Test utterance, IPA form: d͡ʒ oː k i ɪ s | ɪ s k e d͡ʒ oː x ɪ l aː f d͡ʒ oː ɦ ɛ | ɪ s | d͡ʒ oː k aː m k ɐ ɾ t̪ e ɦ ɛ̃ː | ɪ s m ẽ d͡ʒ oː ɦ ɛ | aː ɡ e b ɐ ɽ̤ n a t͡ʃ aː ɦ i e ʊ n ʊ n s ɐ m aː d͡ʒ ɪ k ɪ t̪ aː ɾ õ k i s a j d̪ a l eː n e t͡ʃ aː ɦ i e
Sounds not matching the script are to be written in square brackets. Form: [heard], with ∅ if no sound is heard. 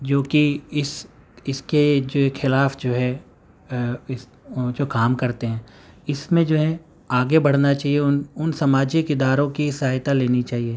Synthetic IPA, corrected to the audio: d͡ʒ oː k i ɪ s | ɪ s k e d͡ʒ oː x ɪ l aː f d͡ʒ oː ɦ ɛ | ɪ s | d͡ʒ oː k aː m k ɐ ɾ t̪ e ɦ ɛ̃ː | ɪ s m ẽ d͡ʒ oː ɦ ɛ | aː ɡ e b ɐ ɽ̤ n a t͡ʃ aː ɦ i e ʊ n ʊ n s ɐ m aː d͡ʒ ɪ k ɪ [d̪] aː ɾ õ k i s a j [t̪] a l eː n [i] t͡ʃ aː ɦ i e